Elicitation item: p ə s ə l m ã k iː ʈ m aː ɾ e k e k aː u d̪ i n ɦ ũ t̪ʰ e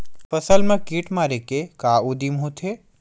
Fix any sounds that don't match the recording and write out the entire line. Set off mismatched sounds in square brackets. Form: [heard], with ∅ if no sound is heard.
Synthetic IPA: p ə s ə l m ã k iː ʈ m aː ɾ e k e k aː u d̪ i [m] ɦ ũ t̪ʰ e